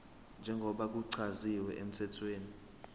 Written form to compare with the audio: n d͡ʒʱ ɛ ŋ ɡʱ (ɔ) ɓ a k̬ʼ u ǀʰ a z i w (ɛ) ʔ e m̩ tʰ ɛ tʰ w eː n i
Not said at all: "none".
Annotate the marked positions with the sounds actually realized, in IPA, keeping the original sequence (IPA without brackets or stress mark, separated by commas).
ɔ, ɛ